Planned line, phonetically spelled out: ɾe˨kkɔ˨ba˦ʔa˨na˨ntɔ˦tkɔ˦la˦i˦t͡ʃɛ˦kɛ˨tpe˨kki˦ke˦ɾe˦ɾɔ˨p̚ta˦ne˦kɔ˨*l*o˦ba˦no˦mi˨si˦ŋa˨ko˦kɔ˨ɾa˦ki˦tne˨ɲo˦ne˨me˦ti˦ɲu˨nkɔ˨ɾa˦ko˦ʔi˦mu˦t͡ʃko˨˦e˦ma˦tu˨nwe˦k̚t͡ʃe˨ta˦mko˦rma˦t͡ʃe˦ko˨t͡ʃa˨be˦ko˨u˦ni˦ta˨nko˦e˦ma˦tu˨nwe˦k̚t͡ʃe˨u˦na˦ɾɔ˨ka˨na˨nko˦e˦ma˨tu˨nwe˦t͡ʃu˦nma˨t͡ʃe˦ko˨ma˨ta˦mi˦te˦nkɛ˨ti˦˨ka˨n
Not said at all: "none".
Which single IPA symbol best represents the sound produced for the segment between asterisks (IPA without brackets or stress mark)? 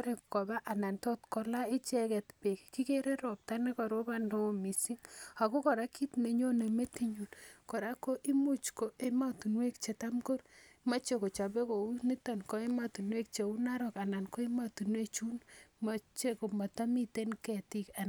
ɾ